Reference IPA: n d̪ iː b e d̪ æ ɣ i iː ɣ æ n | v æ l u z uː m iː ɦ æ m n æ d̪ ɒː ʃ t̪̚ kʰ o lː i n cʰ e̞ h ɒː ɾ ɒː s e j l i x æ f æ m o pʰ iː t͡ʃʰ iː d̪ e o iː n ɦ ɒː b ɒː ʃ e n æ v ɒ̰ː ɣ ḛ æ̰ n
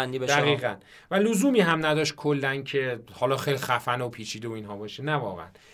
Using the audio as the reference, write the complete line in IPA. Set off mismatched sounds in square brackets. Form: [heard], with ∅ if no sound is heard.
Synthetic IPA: n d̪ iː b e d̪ æ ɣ i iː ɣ æ n | v æ l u z uː m iː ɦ æ m n æ d̪ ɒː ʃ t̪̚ kʰ o lː [æ] n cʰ e̞ h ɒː [l] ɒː [x] e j l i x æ f æ [n] o pʰ iː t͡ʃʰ iː d̪ e o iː n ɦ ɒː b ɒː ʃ e n æ v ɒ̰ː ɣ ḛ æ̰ n